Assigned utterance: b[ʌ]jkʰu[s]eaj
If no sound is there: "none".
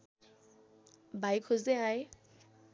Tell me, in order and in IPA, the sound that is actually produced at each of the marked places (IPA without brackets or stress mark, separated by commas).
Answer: a, z